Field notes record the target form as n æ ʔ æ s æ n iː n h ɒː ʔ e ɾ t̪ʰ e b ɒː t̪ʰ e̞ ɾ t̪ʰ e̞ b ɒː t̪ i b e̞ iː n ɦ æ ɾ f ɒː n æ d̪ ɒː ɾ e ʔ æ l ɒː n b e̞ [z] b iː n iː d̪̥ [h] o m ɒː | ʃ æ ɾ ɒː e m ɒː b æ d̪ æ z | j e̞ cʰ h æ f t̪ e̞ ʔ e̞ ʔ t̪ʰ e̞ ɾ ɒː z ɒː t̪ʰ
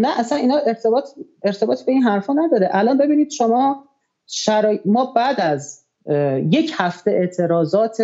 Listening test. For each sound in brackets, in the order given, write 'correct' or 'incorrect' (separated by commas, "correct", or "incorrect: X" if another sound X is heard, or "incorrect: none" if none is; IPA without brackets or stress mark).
incorrect: none, incorrect: ʃ